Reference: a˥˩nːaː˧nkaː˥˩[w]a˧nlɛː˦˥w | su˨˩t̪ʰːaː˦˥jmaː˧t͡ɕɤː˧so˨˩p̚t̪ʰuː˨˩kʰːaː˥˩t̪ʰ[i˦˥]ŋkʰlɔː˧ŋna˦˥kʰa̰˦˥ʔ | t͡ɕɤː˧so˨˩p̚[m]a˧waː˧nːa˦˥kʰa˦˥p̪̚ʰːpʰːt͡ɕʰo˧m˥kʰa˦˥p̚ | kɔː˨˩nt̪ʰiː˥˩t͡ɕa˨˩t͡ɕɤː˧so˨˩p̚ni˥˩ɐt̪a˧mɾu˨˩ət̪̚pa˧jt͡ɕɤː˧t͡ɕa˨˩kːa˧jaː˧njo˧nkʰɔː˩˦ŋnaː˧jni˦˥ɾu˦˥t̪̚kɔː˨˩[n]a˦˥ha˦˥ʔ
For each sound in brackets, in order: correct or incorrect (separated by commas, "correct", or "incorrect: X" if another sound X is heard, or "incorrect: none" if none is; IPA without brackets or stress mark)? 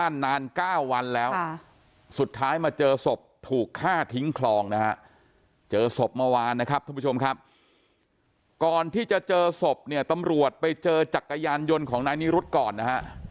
incorrect: wː, correct, correct, incorrect: nː